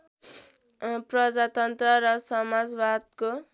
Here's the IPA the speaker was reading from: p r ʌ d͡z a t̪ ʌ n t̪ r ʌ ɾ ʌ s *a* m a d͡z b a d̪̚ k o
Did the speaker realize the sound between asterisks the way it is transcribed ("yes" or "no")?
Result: no